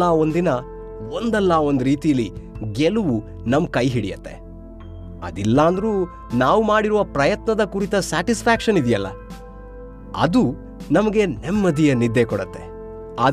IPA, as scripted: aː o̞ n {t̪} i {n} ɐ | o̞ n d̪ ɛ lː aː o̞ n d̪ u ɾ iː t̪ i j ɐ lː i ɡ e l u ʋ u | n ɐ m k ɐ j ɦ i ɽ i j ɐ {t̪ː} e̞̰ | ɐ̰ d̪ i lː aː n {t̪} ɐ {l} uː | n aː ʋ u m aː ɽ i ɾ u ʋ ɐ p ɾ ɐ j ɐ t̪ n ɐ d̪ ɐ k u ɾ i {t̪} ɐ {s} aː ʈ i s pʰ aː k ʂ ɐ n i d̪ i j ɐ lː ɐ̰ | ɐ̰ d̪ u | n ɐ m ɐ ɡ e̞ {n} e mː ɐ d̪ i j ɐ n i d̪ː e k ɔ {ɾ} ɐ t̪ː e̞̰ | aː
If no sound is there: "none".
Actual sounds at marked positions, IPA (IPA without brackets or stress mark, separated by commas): d̪, n, t̪ː, d̪, ɾ, t̪, s, n, ɽ